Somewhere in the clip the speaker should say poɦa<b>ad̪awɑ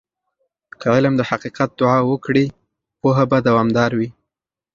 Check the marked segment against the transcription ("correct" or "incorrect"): correct